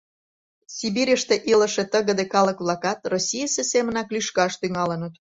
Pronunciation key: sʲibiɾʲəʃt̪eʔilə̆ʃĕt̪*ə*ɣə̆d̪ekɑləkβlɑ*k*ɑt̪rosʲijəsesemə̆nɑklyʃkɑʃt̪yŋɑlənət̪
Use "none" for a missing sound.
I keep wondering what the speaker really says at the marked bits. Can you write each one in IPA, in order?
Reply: ə, k

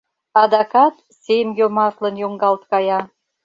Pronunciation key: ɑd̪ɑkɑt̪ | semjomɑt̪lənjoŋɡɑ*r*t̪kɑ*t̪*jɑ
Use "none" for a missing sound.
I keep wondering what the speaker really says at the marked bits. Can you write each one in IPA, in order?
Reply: l, none

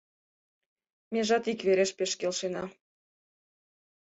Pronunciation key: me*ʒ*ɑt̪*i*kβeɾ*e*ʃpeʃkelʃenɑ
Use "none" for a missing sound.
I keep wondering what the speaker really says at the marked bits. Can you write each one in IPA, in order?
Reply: ʒ, i, e

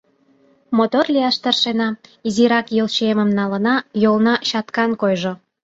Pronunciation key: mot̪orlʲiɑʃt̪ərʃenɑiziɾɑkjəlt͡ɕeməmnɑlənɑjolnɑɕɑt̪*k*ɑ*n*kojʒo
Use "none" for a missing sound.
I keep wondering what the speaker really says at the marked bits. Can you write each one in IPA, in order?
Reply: k, n

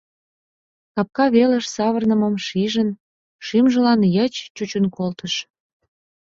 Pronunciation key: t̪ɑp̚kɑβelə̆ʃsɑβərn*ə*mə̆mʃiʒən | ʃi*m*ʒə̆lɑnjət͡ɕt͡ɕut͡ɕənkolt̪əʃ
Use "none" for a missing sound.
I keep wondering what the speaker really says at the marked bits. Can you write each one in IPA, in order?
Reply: ə, m

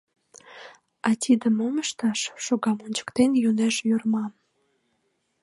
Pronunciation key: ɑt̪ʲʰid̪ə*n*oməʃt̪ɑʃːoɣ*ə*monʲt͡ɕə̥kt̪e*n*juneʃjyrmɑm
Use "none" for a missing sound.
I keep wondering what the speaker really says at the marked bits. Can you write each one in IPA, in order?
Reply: m, ɑ, n

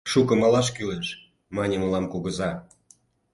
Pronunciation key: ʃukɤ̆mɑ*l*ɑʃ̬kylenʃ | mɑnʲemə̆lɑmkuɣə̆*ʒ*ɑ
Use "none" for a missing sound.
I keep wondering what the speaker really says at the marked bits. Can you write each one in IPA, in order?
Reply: l, z

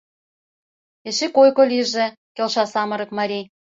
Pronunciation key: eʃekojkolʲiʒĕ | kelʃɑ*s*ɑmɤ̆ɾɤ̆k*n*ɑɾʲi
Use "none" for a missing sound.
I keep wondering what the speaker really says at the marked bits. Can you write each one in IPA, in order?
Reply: s, m

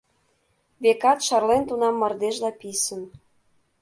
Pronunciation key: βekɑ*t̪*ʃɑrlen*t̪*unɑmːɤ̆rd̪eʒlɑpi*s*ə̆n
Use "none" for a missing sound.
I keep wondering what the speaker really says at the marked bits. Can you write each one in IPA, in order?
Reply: t̪, t̪, s

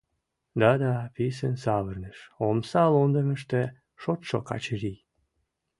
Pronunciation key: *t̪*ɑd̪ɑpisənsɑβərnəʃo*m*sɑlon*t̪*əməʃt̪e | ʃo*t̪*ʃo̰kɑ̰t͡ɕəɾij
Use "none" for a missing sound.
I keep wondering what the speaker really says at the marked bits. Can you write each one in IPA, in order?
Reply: d̪, m, d̪, t̪

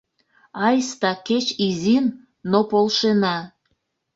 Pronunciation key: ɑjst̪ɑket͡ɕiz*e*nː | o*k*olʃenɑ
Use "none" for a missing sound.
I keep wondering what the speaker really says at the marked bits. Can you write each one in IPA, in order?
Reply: i, p

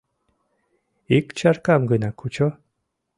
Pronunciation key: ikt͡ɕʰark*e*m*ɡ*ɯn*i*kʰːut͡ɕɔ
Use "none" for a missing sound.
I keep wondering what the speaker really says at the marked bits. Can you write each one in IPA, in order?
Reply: a, ɡ, a

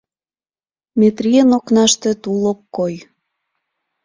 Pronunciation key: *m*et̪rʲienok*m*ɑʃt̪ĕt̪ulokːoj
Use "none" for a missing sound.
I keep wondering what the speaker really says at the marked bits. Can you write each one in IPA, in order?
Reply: m, n

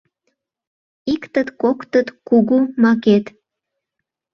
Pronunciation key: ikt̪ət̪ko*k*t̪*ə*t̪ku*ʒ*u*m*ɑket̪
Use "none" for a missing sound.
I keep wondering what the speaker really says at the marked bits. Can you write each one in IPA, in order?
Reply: k, ə, ɣ, m

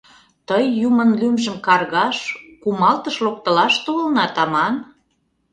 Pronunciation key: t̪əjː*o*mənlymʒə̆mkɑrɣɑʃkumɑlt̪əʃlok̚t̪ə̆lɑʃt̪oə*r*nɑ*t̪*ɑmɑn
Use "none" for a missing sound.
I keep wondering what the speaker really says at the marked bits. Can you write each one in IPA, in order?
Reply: u, l, t̪

